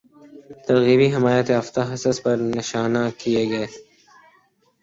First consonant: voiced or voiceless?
voiceless